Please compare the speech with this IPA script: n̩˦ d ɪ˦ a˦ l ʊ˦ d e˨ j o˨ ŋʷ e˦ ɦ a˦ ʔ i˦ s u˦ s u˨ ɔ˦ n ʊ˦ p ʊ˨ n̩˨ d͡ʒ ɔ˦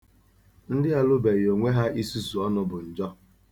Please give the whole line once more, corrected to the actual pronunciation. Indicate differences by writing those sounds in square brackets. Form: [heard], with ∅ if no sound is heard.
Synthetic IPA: n̩˦ d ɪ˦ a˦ l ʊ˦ [b] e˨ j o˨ ŋʷ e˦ ɦ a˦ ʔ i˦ s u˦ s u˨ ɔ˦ n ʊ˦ [b] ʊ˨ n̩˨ d͡ʒ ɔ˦